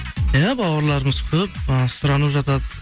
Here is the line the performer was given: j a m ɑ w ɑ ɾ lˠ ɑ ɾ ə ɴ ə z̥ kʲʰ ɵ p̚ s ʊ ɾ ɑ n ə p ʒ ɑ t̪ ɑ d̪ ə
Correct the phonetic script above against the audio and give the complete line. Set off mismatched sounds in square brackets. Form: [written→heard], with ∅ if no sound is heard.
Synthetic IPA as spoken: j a [m→b] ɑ w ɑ ɾ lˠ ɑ ɾ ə [ɴ→m] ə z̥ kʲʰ ɵ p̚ s ʊ ɾ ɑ n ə p ʒ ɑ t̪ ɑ d̪ ə